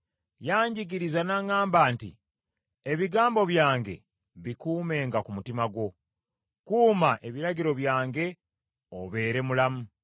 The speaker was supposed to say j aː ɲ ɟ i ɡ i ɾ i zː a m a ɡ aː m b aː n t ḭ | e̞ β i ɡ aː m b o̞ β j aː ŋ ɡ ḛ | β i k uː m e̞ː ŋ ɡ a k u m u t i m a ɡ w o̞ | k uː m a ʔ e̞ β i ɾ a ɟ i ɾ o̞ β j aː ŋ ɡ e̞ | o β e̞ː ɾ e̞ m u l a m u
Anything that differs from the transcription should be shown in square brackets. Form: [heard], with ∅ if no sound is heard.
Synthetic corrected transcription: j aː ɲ ɟ i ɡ i ɾ i [z] a [n] a [ŋ] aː m b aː n t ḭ | e̞ β i ɡ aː m b o̞ β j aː ŋ ɡ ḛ | β i k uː m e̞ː ŋ ɡ a k u m u t i m a ɡ w o̞ | k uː m a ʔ e̞ β i ɾ a ɟ i ɾ o̞ β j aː ŋ ɡ e̞ | o β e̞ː ɾ e̞ m u l a m u